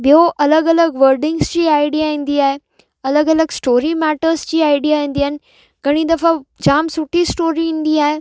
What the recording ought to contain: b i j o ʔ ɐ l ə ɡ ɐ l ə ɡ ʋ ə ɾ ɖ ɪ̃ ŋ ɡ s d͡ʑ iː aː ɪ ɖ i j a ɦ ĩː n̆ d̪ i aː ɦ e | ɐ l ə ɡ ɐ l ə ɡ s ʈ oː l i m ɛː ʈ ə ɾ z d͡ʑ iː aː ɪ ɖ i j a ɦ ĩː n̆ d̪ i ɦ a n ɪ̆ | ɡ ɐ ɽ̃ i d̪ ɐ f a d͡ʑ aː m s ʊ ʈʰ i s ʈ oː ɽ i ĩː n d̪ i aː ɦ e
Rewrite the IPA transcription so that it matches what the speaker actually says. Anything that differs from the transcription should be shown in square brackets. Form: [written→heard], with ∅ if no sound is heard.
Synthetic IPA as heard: b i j o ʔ ɐ l ə ɡ ɐ l ə ɡ ʋ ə ɾ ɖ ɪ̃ ŋ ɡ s d͡ʑ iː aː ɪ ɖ i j a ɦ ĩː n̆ d̪ i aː ɦ e | ɐ l ə ɡ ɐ l ə ɡ s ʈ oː [l→ɾ] i m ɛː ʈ ə ɾ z d͡ʑ iː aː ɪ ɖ i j a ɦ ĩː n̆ d̪ i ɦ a n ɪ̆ | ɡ ɐ ɽ̃ i d̪ ɐ f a d͡ʑ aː m s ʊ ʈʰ i s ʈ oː [ɽ→ɾ] i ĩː n d̪ i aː ɦ e

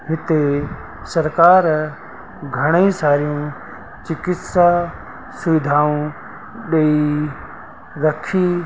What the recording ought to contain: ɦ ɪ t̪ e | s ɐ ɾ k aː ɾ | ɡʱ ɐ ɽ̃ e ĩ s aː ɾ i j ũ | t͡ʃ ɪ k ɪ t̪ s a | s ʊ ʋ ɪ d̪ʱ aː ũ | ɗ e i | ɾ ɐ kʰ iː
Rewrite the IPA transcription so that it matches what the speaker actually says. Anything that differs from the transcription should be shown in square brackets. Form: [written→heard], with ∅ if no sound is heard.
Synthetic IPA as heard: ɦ ɪ t̪ e | s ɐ ɾ k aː ɾ | ɡʱ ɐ ɽ̃ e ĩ s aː ɾ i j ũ | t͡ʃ ɪ k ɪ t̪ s a | s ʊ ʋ ɪ d̪ʱ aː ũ | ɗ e i | ɾ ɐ kʰ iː

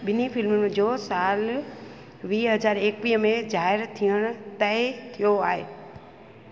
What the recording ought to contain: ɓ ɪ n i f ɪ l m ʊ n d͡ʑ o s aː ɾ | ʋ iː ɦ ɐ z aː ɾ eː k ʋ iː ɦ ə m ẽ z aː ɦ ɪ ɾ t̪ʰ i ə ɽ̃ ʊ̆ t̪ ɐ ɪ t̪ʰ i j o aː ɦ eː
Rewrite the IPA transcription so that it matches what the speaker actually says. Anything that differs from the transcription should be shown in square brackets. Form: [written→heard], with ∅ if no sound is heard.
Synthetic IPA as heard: ɓ ɪ n i f ɪ l m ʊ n d͡ʑ o s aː [ɾ→l] | ʋ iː ɦ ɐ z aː ɾ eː k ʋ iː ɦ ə m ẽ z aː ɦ ɪ ɾ t̪ʰ i ə ɽ̃ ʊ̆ t̪ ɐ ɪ t̪ʰ i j o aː ɦ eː

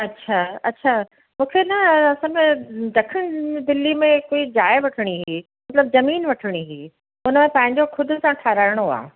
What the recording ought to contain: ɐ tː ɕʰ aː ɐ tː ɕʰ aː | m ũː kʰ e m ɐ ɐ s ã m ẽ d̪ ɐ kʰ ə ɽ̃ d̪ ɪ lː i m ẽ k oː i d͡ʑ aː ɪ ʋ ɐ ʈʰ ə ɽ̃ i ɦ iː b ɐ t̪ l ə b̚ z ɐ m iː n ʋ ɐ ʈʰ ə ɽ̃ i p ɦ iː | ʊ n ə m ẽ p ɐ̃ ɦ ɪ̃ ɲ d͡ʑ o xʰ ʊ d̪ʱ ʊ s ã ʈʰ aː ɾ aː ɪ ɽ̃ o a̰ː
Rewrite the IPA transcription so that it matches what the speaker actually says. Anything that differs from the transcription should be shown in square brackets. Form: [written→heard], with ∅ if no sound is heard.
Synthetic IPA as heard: ɐ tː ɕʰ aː ɐ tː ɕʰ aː | m ũː kʰ e [m→n] ɐ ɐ s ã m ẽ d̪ ɐ kʰ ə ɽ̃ d̪ ɪ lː i m ẽ k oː i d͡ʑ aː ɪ ʋ ɐ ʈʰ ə ɽ̃ i ɦ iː [b→m] ɐ t̪ l ə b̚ z ɐ m iː n ʋ ɐ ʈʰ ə ɽ̃ i [p→∅] ɦ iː | ʊ n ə m ẽ p ɐ̃ ɦ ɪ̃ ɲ d͡ʑ o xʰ ʊ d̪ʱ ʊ s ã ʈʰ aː ɾ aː ɪ ɽ̃ o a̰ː

